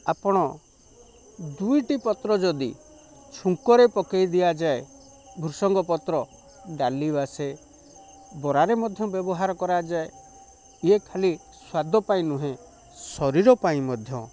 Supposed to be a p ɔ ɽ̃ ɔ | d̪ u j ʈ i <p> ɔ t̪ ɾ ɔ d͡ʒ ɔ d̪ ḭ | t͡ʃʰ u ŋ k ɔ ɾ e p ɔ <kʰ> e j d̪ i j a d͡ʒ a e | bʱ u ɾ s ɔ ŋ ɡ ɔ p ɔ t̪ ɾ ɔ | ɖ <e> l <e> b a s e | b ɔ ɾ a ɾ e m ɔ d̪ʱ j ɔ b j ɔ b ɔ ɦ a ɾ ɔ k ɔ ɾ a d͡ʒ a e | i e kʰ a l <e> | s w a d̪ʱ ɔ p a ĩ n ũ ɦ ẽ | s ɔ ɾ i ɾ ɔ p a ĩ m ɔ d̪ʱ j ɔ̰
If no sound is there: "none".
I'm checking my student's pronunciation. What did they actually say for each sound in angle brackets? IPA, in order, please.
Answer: p, k, a, i, i

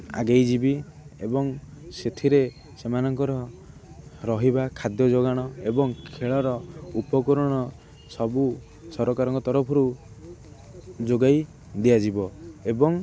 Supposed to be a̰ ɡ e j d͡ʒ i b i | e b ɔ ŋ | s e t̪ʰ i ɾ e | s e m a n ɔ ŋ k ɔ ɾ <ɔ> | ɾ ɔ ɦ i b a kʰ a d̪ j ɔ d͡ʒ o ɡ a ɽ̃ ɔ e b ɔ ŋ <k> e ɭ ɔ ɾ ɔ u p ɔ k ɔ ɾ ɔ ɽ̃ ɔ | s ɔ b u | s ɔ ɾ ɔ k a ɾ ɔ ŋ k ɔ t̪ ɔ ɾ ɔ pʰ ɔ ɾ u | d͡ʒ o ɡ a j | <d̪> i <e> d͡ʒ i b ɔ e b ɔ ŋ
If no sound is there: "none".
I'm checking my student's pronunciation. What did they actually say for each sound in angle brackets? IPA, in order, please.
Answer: ɔ, kʰ, d̪, a

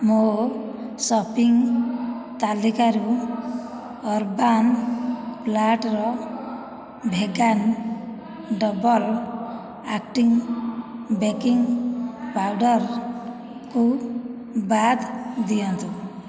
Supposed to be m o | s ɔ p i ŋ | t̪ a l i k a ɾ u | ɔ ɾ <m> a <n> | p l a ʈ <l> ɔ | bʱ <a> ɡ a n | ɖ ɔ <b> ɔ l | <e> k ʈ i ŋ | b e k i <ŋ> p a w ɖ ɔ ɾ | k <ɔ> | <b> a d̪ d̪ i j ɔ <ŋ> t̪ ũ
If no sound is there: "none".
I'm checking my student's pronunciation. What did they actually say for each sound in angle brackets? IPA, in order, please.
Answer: b, n, ɾ, e, b, a, ŋ, u, b, n

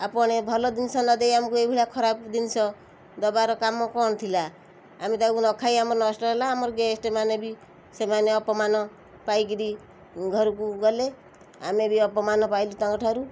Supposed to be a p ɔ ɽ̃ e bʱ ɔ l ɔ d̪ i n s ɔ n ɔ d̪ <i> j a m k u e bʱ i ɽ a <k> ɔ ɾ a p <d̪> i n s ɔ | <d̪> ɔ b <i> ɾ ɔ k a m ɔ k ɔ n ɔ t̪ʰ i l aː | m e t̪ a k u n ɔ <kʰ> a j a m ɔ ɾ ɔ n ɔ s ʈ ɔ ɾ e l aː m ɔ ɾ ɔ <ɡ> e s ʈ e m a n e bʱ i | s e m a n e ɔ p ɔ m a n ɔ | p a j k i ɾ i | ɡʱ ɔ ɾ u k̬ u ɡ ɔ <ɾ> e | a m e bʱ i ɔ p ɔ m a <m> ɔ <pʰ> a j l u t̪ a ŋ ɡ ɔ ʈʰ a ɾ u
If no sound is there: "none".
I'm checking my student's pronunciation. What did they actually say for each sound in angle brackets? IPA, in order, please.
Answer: e, kʰ, d̪, d̪, a, kʰ, ɡ, l, n, p

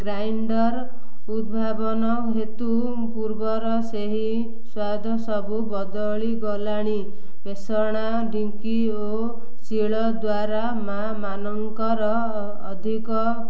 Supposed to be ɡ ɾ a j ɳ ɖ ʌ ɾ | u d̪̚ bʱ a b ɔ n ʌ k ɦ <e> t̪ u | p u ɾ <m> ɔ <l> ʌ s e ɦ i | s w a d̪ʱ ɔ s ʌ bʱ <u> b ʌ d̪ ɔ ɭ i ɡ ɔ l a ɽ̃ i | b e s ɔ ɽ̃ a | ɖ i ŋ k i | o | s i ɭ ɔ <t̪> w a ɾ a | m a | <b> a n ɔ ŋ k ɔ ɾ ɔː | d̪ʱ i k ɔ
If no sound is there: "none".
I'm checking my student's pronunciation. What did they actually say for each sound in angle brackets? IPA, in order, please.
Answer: e, b, ɾ, u, d̪, m

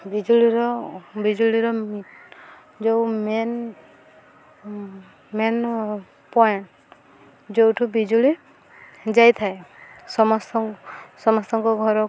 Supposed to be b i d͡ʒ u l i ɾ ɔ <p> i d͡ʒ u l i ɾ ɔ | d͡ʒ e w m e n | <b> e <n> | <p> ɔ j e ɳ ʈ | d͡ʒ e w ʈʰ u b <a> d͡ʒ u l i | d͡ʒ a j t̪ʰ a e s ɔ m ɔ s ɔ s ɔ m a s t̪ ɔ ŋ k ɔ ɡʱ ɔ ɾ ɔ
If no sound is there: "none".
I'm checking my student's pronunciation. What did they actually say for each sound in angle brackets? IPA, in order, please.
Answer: b, m, n, p, i

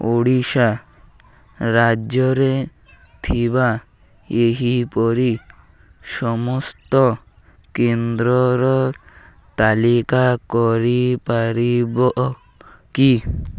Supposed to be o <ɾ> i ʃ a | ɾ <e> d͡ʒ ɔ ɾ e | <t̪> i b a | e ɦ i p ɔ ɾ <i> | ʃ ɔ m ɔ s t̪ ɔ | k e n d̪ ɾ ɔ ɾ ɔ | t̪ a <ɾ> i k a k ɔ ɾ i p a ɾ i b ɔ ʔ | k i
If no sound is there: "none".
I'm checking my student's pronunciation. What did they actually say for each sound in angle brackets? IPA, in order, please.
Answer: ɽ, a, t̪ʰ, i, l

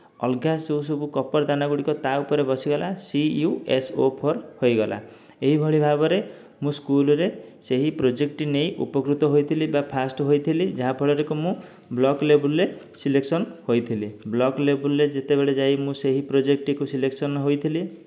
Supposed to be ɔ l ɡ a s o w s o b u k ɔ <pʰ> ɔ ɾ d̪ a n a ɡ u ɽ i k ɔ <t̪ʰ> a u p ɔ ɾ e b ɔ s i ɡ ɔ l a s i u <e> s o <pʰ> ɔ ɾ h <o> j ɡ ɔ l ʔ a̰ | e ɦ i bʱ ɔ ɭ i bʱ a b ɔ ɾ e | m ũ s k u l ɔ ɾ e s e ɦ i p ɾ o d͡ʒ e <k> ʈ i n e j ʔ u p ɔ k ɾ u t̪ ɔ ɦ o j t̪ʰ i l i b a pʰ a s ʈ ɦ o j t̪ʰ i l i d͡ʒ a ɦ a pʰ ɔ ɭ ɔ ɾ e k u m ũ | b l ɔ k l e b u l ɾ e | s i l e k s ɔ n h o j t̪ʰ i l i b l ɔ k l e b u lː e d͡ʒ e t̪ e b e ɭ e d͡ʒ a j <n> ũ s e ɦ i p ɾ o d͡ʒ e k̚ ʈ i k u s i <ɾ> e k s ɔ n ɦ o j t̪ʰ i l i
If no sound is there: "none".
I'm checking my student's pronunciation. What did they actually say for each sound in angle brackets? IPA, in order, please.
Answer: p, t̪, e, pʰ, o, k, m, l

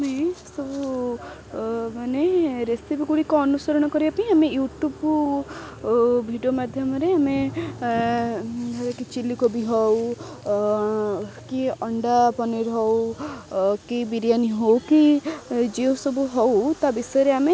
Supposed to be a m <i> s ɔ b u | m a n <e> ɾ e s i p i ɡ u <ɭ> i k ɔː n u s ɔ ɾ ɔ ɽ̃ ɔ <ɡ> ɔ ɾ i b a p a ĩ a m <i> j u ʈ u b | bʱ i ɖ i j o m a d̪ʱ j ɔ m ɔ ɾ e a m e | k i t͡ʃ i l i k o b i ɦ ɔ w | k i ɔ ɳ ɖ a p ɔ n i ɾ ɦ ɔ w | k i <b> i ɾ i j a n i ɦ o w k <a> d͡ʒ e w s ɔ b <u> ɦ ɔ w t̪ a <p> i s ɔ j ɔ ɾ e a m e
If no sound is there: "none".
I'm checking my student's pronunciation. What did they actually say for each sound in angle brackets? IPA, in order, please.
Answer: e, e, ɽ, k, e, b, i, u, b

